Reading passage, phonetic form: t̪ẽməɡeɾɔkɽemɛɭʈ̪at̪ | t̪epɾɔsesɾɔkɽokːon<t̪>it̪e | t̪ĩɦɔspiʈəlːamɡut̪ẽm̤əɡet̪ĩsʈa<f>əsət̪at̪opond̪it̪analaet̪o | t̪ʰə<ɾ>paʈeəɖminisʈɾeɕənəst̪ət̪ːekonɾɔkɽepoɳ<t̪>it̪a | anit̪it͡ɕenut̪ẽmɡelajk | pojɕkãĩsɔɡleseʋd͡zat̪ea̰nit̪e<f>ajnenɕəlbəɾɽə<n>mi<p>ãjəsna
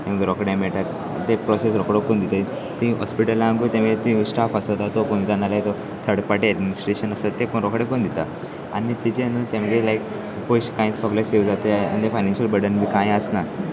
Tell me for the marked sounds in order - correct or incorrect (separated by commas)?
incorrect, correct, incorrect, incorrect, correct, correct, incorrect